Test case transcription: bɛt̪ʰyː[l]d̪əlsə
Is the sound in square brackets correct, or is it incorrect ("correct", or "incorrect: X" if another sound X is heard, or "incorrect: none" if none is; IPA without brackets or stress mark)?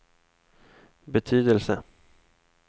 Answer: incorrect: none